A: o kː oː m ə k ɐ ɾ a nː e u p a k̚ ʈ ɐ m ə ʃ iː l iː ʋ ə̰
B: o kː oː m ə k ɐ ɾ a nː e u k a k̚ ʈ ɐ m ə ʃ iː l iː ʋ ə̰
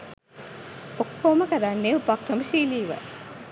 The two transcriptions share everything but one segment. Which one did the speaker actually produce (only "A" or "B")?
A